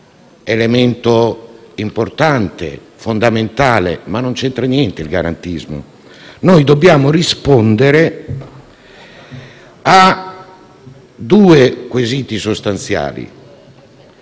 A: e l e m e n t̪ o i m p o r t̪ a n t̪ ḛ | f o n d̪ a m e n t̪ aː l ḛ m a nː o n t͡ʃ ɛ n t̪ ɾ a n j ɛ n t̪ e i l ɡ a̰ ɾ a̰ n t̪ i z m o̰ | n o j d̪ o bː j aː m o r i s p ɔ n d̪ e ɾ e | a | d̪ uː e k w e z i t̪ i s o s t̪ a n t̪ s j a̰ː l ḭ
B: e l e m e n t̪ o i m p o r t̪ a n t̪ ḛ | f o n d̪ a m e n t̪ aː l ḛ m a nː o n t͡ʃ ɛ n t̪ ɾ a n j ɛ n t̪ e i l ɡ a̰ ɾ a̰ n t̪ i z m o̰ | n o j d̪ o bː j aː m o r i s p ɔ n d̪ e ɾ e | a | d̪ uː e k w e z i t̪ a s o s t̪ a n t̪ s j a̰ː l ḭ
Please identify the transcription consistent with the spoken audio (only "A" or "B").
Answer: A